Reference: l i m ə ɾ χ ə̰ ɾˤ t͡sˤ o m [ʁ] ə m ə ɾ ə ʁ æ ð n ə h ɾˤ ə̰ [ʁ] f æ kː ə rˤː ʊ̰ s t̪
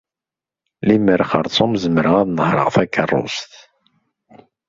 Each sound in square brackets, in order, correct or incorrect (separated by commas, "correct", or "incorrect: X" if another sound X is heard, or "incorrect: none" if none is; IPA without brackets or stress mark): incorrect: z, correct